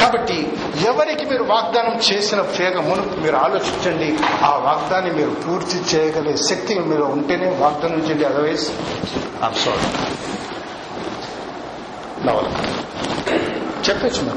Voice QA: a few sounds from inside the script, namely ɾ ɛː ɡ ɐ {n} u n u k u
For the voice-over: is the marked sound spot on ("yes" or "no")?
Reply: no